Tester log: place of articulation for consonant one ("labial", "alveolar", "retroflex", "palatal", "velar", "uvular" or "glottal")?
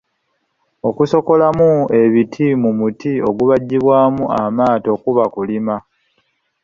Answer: velar